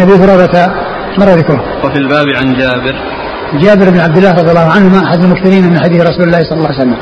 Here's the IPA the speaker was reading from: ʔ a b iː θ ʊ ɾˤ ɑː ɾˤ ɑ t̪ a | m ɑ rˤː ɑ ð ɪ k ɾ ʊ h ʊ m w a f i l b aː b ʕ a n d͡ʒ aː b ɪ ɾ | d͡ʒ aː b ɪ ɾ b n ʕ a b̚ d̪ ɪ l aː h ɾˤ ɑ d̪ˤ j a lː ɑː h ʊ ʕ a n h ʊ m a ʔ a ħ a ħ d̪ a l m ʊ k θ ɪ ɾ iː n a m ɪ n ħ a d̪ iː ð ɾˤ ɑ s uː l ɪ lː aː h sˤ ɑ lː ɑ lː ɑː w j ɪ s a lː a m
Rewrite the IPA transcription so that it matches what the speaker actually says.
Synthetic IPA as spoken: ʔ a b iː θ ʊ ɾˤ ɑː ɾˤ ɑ t̪ a | m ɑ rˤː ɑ ð ɪ k ɾ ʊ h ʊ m w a f i l b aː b ʕ a n d͡ʒ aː b ɪ ɾ | d͡ʒ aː b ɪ ɾ b n ʕ a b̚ d̪ ɪ lː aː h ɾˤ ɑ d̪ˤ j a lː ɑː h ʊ ʕ a n h ʊ m a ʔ a ħ a d̪ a l m ʊ k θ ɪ ɾ iː n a m ɪ n ħ a d̪ iː θ ɾˤ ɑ s uː l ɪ lː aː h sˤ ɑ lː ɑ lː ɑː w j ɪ s a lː a m